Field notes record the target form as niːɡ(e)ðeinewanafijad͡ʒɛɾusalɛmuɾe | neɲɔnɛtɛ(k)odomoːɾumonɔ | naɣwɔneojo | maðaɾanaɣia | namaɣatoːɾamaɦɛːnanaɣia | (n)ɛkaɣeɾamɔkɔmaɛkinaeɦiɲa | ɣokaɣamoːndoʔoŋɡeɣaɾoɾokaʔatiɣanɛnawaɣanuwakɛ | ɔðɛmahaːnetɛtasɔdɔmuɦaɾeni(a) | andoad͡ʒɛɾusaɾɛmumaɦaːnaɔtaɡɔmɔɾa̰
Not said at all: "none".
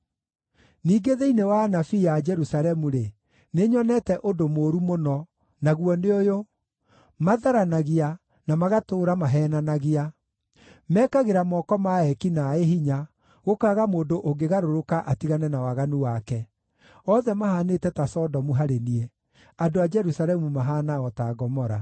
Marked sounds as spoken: e, ʔ, m, ɛ

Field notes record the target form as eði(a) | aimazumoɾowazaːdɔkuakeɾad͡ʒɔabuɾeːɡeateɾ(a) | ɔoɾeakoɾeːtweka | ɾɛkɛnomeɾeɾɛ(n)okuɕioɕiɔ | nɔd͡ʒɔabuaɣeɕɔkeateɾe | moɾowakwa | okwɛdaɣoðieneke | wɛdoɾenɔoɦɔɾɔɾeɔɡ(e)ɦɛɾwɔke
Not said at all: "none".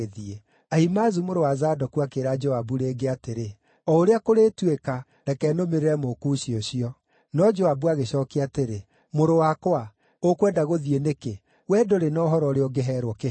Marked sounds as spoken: e, e, m, e

